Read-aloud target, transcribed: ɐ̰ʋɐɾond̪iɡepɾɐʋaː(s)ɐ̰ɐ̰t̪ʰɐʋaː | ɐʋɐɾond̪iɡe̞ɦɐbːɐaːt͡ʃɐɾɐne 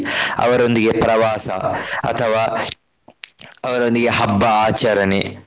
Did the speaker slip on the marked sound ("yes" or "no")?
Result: no